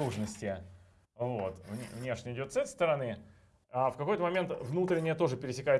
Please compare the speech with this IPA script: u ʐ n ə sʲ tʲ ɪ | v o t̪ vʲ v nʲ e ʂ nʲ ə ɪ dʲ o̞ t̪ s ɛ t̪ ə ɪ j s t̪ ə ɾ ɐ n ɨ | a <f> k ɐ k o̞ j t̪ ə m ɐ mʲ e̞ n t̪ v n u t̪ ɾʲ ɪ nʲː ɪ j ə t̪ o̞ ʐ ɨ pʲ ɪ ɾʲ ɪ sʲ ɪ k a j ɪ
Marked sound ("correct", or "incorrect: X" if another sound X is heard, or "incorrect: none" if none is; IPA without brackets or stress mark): correct